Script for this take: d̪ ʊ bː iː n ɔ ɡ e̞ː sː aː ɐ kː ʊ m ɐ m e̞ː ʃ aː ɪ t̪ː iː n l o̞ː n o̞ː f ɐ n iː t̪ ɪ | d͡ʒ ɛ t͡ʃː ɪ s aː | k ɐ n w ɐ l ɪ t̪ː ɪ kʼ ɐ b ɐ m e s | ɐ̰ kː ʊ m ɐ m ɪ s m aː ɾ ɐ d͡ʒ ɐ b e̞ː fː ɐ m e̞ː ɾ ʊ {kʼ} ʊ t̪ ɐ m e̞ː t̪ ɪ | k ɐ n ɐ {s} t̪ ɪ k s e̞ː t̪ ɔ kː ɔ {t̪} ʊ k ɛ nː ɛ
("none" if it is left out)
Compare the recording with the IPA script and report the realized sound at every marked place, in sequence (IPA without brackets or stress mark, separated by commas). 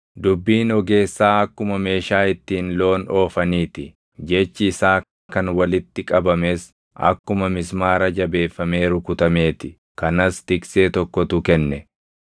k, s, t̪